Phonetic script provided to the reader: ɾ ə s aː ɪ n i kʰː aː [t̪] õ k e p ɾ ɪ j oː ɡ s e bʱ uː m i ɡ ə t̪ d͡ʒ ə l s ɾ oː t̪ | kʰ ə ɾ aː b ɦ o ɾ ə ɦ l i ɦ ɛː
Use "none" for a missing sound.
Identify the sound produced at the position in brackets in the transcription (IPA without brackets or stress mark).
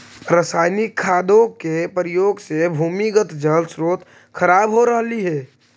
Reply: d̪